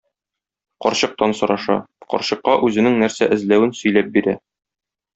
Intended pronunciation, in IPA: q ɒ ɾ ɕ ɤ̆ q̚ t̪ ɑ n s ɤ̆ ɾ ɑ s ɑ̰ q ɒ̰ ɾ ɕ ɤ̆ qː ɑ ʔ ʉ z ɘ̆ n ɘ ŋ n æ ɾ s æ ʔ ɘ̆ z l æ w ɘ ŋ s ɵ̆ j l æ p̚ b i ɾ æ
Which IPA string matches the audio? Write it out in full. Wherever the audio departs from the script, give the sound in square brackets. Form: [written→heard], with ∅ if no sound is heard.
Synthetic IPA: q ɒ ɾ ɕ ɤ̆ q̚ t̪ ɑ n s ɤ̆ ɾ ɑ [s→ʃ] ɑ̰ q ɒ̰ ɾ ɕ ɤ̆ qː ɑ ʔ ʉ z ɘ̆ n ɘ ŋ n æ ɾ s æ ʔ ɘ̆ z l æ w ɘ [ŋ→n] s ɵ̆ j l æ p̚ b i ɾ æ